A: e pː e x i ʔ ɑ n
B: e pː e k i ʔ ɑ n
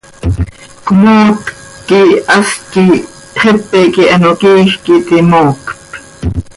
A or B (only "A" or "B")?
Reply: B